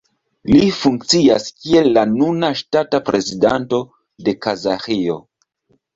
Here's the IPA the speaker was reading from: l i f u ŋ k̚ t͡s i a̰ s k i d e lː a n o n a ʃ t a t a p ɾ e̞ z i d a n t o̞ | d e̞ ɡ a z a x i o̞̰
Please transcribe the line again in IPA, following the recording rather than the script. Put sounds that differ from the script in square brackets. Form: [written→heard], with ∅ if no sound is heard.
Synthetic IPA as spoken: l i f u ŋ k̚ t͡s i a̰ s k i [d→∅] e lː a n [o→u] n a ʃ t a t a p ɾ e̞ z i d a n t o̞ | d e̞ [ɡ→k] a z a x i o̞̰